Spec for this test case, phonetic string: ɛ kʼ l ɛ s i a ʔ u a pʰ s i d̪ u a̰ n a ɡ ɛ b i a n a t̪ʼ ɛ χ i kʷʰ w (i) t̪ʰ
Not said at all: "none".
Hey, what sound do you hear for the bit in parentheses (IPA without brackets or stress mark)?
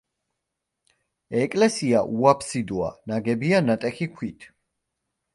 i